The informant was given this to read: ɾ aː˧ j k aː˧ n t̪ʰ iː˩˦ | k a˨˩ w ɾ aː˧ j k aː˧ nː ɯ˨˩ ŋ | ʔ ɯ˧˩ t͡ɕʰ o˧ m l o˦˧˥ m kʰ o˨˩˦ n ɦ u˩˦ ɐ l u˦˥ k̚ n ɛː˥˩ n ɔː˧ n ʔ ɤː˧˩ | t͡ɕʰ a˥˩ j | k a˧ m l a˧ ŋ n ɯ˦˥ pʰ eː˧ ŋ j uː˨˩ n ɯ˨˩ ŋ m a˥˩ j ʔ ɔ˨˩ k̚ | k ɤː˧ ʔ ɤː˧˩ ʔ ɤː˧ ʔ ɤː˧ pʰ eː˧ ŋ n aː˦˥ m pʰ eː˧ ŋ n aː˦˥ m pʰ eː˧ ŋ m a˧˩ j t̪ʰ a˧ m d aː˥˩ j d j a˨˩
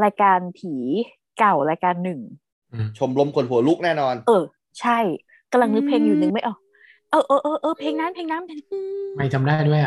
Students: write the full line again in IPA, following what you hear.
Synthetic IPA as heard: ɾ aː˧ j k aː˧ n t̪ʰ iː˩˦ | k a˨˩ w ɾ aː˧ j k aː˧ nː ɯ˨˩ ŋ | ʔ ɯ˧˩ t͡ɕʰ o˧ m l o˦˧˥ m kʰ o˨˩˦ n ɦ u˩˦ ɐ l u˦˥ k̚ n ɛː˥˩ n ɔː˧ n ʔ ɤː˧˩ | t͡ɕʰ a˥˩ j | k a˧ m l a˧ ŋ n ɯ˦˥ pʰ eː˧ ŋ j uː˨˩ n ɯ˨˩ ŋ m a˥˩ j ʔ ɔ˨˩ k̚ | ʔ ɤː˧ ʔ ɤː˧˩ ʔ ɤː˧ ʔ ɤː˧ pʰ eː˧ ŋ n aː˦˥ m pʰ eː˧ ŋ n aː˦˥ m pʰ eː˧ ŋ m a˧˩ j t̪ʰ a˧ m d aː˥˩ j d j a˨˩